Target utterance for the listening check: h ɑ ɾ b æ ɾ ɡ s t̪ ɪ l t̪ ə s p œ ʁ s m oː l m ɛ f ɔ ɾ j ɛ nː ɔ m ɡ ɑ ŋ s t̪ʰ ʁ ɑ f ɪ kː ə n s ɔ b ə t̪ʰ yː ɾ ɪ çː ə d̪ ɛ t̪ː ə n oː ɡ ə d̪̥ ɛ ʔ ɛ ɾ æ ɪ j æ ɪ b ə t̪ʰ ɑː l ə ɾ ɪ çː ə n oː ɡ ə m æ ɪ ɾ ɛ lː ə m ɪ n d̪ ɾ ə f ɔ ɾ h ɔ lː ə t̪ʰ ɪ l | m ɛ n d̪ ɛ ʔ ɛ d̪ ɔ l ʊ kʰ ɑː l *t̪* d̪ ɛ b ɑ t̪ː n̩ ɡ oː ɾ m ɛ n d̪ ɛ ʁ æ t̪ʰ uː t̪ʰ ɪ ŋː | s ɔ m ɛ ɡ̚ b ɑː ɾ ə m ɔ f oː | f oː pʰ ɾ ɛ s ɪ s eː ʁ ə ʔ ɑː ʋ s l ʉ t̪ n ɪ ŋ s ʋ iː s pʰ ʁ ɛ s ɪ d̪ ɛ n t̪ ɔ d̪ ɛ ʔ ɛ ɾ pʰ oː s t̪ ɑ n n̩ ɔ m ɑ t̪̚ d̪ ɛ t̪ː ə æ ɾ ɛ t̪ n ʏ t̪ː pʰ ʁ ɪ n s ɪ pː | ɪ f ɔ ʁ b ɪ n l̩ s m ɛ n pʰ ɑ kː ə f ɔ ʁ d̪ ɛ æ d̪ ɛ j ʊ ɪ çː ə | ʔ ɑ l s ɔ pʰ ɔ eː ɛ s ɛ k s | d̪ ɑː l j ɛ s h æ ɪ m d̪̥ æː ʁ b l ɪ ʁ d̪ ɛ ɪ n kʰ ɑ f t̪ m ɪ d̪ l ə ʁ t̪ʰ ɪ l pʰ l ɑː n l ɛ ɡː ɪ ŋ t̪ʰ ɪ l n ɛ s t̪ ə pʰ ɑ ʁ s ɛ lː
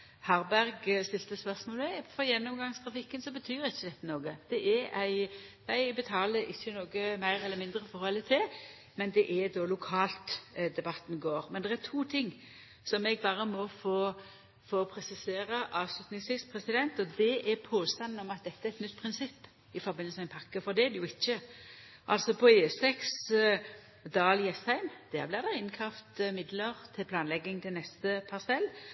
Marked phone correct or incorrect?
correct